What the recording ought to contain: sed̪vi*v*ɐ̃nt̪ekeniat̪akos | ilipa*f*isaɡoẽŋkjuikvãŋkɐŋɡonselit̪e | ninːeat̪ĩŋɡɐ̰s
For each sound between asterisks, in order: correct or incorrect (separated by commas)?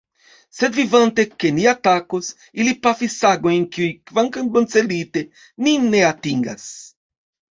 correct, correct